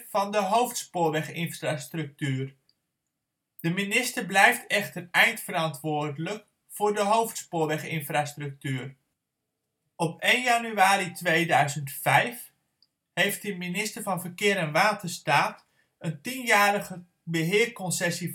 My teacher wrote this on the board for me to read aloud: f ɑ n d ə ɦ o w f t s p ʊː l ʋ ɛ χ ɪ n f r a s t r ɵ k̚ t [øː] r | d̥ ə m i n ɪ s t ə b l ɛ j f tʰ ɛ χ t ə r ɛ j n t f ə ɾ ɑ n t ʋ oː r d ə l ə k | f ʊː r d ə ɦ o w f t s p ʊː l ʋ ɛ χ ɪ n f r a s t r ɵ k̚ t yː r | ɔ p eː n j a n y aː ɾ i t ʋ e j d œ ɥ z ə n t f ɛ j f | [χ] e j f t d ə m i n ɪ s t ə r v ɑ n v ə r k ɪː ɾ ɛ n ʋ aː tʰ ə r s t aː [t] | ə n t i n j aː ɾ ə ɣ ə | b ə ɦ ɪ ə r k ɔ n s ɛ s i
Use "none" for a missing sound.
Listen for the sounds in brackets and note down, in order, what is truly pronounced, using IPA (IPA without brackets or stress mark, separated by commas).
yː, h, t